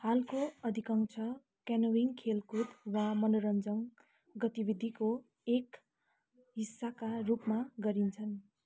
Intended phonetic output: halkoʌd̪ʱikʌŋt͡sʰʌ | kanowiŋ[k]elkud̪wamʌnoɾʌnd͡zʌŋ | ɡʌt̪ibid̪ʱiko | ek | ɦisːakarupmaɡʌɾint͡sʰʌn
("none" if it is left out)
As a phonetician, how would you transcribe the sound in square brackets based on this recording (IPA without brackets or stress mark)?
kʰ